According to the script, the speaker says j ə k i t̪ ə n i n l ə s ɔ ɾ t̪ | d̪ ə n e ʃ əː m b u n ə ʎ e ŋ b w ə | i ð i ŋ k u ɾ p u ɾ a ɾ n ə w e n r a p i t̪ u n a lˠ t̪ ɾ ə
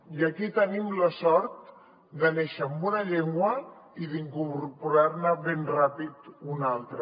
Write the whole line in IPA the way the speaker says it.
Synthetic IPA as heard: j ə k i t̪ ə n i m l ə s ɔ ɾ t̪ | d̪ ə n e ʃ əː m b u n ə ʎ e ŋ ɡ w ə | i ð i ŋ k u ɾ p u ɾ a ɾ n ə β e n r a p i t̪ u n a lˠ t̪ ɾ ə